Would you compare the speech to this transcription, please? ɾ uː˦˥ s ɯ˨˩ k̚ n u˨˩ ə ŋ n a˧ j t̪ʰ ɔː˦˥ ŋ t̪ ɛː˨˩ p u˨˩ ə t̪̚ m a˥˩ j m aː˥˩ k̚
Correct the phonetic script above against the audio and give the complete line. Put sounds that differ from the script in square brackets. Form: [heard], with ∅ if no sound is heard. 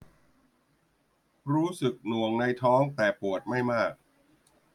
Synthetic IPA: ɾ uː˦˥ s ɯ˨˩ k̚ n u˨˩ ə ŋ n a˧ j t̪ʰ ɔː˦˥ ŋ t̪ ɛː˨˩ p u˨˩ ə t̪̚ m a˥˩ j m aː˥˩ k̚